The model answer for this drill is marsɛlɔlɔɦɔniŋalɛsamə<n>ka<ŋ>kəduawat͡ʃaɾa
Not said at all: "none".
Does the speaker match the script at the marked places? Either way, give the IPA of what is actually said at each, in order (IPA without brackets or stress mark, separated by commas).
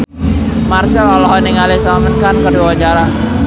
n, n